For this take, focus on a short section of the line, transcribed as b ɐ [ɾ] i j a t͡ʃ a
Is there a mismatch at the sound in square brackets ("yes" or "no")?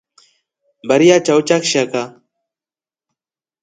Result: no